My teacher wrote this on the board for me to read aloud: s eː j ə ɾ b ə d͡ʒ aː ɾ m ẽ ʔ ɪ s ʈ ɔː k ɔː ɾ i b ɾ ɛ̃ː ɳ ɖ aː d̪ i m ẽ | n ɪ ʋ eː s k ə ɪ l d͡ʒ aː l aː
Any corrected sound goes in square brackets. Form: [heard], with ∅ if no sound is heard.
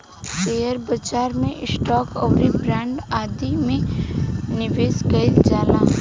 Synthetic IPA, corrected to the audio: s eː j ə ɾ b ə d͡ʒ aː ɾ m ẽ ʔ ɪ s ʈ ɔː k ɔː ɾ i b ɾ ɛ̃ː ɳ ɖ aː d̪ i m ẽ | n ɪ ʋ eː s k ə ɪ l d͡ʒ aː l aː